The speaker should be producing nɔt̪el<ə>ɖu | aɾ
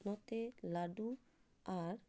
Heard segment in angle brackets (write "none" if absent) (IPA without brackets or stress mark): a